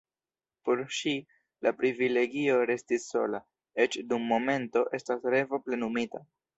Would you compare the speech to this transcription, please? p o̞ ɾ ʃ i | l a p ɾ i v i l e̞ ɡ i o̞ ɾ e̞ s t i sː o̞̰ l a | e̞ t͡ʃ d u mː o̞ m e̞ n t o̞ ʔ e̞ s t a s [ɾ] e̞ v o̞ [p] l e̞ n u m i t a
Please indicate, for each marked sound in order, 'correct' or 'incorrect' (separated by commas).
correct, correct